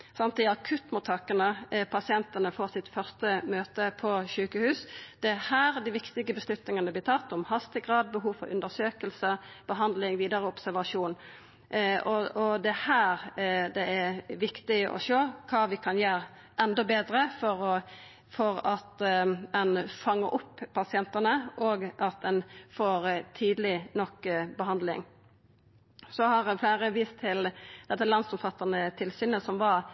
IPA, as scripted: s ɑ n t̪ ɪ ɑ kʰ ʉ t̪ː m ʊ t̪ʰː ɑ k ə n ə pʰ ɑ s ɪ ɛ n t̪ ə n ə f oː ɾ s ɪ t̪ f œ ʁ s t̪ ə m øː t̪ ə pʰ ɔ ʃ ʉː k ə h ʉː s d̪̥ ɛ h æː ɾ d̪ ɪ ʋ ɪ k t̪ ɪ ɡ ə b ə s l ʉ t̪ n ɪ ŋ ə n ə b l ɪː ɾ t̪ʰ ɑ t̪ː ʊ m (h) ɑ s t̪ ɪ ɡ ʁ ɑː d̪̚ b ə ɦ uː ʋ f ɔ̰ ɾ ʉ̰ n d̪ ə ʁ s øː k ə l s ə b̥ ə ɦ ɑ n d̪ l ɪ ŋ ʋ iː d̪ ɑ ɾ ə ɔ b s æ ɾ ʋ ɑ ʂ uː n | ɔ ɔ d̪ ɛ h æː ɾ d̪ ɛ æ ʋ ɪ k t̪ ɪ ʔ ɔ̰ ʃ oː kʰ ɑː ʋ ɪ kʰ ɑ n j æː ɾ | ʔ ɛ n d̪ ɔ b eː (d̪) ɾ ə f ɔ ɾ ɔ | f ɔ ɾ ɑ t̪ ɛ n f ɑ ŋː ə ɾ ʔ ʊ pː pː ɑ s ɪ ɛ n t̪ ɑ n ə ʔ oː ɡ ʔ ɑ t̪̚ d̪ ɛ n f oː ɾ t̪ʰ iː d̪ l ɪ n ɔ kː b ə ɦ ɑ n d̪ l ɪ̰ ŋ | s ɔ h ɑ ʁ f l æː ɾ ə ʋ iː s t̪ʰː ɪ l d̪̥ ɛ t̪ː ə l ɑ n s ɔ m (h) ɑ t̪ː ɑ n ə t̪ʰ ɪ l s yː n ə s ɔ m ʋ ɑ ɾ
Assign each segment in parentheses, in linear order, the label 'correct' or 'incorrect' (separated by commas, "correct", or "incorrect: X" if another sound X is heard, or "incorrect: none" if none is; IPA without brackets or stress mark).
correct, correct, incorrect: f